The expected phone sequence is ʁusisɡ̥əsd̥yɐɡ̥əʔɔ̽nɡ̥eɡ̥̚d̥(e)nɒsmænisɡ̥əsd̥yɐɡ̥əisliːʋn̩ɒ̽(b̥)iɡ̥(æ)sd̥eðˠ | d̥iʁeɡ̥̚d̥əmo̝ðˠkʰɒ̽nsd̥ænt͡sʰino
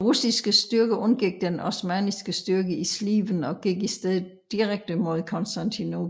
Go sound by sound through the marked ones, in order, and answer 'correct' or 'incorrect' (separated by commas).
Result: correct, incorrect, incorrect